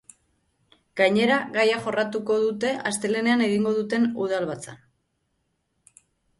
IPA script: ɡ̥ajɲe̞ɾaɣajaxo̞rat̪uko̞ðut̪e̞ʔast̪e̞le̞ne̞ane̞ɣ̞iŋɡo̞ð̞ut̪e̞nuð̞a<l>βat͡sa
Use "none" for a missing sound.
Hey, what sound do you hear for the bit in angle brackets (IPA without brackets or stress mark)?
l